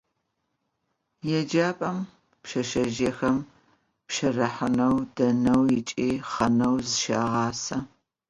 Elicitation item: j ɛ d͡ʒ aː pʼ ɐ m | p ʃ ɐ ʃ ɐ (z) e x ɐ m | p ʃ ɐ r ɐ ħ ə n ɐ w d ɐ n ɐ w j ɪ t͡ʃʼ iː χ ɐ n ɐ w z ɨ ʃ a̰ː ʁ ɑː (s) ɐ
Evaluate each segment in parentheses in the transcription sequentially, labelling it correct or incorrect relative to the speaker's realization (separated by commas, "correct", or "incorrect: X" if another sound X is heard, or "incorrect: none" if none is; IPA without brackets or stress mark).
incorrect: ʒ, correct